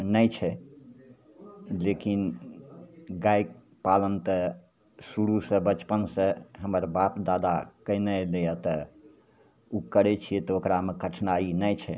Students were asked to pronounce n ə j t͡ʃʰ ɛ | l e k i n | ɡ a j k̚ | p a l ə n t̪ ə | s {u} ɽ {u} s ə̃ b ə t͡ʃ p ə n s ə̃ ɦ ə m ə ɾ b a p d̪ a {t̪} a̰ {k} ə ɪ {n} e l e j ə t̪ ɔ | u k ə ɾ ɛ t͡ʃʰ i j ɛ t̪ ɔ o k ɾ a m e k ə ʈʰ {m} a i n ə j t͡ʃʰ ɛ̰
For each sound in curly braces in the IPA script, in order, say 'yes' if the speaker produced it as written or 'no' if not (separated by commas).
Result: yes, yes, no, yes, yes, no